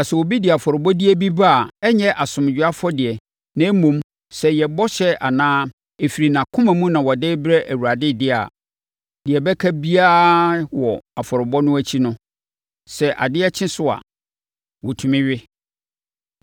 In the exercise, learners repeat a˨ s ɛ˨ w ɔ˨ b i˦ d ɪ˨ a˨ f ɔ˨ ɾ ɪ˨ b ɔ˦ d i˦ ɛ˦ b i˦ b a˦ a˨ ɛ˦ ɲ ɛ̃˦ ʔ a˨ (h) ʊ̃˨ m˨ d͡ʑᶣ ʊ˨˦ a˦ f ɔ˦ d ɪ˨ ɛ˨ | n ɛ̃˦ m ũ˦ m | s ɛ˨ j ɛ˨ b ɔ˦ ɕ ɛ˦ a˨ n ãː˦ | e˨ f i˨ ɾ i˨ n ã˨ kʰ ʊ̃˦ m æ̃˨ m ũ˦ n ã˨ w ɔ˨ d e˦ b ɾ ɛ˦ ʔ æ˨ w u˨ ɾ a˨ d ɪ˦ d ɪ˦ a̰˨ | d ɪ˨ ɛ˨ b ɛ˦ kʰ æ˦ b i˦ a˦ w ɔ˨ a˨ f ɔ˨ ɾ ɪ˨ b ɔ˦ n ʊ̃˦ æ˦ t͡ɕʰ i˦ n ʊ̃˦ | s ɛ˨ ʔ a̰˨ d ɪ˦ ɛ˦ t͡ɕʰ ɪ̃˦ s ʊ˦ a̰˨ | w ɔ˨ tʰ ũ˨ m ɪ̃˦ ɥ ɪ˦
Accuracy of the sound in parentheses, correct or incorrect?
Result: incorrect